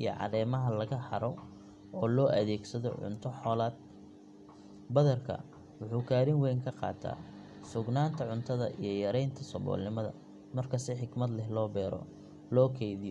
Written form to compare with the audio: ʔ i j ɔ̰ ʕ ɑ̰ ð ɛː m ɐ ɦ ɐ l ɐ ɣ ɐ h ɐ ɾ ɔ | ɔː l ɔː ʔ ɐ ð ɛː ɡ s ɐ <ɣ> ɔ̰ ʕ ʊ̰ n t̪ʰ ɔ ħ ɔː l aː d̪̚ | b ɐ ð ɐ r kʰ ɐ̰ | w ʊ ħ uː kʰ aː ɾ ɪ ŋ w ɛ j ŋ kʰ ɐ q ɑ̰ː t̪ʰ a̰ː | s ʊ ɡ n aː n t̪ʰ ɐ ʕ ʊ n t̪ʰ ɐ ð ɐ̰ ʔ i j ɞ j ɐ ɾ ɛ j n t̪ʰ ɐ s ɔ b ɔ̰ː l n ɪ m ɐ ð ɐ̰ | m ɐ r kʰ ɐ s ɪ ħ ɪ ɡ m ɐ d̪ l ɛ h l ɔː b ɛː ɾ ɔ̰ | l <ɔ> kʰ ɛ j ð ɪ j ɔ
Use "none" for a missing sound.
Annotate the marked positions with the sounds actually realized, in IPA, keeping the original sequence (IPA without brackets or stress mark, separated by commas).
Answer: ð, ɔː